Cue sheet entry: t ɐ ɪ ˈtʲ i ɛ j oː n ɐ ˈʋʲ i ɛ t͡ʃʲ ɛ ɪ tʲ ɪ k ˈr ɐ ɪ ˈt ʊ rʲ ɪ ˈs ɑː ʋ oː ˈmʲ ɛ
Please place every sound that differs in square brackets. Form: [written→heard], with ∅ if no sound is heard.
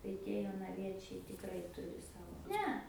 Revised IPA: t ɐ ɪ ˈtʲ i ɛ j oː n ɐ ˈʋʲ i ɛ t͡ʃʲ ɛ ɪ tʲ ɪ k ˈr ɐ ɪ ˈt ʊ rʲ ɪ ˈs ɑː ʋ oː [ˈmʲ→ˈnʲ] ɛ